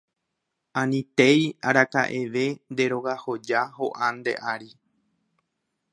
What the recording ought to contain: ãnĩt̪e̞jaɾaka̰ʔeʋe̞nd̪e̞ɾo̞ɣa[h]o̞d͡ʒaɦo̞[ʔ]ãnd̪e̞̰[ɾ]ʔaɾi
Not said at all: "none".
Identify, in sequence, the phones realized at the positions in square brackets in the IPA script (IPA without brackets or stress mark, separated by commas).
h, ʔ, none